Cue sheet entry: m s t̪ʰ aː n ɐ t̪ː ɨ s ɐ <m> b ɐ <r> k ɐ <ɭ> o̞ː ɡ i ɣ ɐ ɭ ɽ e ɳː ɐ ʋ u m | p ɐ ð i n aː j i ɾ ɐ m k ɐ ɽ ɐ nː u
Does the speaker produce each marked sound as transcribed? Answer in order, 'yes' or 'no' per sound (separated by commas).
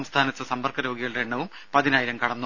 yes, yes, no